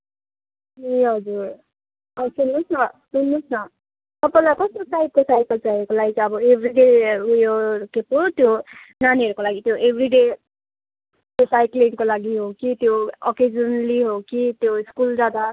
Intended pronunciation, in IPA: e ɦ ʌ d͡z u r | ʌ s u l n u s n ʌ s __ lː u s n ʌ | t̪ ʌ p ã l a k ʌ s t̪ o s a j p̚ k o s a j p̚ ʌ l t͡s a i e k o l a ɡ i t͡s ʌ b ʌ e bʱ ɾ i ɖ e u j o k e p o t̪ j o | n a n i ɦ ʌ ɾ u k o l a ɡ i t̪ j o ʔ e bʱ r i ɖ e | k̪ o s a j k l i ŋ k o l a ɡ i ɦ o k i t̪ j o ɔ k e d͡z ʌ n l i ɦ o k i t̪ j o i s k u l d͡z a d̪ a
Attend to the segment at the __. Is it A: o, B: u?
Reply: B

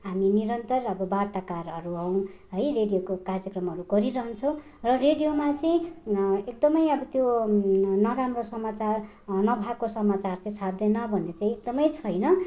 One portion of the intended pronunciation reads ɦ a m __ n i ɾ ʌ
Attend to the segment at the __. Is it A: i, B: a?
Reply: A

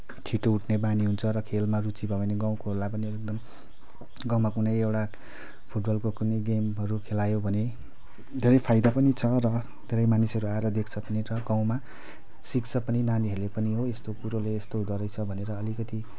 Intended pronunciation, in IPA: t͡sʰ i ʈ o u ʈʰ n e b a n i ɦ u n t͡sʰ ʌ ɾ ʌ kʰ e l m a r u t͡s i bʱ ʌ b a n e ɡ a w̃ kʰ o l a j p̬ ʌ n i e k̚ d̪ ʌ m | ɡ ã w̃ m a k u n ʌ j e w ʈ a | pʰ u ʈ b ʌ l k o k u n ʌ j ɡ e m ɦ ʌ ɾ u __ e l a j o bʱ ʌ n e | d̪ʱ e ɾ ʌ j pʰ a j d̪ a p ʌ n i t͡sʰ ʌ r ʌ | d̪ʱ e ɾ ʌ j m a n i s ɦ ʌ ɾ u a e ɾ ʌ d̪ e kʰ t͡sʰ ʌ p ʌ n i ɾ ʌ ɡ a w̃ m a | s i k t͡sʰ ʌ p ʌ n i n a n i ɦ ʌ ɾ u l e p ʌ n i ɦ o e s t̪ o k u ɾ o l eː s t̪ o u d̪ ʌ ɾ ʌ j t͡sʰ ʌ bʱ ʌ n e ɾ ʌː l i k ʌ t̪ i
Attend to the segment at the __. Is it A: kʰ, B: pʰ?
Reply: A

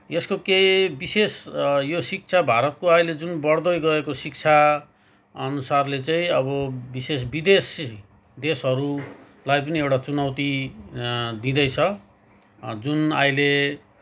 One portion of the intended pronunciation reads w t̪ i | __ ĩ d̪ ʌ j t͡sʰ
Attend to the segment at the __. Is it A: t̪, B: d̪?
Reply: B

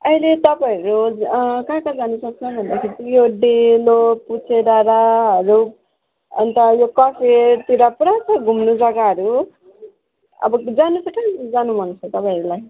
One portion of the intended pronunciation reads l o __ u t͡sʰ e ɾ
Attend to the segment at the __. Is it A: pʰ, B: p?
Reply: B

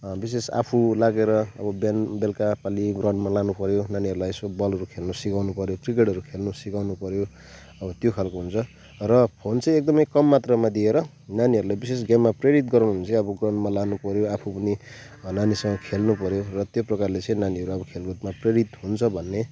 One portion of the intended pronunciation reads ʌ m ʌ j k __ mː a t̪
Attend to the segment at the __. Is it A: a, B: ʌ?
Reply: B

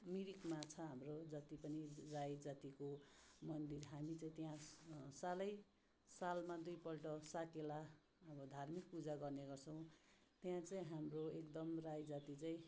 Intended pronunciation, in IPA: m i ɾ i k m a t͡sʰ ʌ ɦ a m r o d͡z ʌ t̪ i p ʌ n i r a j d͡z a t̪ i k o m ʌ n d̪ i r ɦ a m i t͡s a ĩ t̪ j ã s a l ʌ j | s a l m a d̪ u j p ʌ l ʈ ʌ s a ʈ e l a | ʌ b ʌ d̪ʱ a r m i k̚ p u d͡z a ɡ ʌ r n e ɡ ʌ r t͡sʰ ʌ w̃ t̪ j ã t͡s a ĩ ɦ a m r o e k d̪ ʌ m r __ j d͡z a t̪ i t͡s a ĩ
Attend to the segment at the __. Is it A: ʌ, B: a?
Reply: B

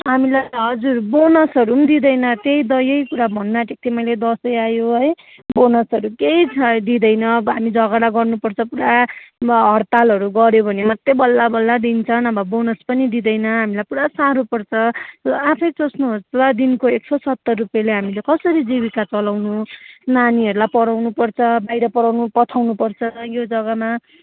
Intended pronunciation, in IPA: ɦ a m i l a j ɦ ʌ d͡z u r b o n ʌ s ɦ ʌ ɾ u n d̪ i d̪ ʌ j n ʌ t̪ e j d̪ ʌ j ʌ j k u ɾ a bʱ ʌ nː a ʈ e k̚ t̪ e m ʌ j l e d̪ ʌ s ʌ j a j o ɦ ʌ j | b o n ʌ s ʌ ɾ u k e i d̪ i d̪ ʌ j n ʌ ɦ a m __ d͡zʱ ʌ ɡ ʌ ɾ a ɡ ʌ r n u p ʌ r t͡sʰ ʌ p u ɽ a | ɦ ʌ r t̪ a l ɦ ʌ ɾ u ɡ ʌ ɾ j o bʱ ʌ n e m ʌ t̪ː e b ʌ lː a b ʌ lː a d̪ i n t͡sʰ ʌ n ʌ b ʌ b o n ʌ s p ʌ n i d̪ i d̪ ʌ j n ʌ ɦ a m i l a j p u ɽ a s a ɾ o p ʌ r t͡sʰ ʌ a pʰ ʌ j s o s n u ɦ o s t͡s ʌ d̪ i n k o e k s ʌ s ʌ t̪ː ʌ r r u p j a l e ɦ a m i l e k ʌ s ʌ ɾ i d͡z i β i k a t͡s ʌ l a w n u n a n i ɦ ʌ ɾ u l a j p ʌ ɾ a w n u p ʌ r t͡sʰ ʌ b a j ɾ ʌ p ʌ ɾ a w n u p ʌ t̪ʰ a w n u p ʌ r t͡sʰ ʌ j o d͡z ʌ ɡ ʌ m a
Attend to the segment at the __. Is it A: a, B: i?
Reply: B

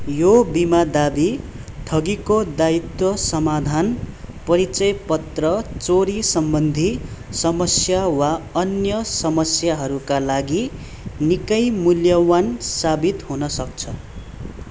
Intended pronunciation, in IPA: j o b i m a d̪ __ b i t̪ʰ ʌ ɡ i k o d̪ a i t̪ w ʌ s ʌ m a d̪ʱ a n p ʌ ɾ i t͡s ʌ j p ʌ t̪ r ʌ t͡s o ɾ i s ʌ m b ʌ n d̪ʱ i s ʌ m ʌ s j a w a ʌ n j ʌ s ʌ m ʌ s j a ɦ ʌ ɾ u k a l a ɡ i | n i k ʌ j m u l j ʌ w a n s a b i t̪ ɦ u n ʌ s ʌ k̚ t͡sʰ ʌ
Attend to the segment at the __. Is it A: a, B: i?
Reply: A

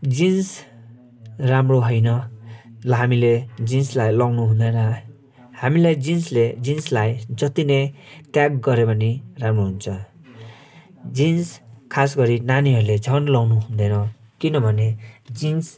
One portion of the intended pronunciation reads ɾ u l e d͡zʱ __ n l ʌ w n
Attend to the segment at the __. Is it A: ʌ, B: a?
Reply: A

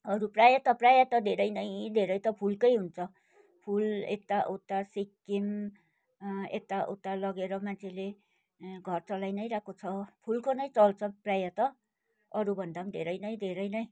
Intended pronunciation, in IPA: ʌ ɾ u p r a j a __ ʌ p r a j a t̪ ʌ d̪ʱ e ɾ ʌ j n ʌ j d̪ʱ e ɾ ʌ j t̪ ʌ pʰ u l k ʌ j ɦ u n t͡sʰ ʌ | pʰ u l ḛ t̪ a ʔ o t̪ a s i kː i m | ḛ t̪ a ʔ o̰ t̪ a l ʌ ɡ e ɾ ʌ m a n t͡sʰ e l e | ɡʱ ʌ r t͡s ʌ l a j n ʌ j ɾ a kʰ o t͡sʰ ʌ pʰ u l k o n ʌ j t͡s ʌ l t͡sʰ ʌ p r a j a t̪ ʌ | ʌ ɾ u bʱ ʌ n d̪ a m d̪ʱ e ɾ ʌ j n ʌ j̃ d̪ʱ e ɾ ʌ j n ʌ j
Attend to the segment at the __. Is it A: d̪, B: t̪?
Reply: B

